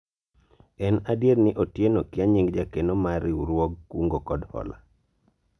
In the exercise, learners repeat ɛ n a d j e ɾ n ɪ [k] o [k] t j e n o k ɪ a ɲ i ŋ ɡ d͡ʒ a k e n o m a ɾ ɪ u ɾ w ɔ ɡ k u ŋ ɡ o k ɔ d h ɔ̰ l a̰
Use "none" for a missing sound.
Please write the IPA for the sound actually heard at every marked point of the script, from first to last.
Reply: ʔ, none

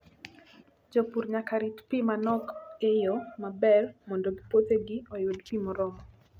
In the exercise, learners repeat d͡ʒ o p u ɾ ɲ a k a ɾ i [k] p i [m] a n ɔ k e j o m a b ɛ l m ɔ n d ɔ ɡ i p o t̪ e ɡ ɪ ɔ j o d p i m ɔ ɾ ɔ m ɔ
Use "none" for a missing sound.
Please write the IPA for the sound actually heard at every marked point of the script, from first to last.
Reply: t, m

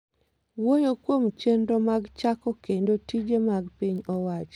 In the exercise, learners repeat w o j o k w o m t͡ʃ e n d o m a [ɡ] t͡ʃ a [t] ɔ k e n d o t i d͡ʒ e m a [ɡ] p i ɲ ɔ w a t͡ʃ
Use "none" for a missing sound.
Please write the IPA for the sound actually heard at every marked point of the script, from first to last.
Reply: ɡ, k, ɡ

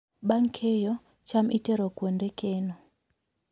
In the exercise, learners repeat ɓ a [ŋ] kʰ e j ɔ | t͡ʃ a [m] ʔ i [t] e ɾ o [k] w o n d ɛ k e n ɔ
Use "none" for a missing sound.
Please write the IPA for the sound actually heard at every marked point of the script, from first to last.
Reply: ŋ, m, t, k

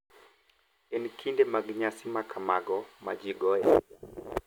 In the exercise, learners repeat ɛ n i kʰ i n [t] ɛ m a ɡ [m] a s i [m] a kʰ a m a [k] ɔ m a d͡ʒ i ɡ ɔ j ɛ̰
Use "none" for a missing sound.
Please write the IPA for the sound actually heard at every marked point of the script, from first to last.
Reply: d, ɲ, m, ɡ

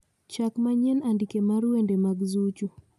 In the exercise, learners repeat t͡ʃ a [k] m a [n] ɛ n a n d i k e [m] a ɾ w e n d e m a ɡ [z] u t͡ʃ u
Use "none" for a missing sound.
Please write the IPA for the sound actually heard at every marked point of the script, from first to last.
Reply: k, ɲ, m, z

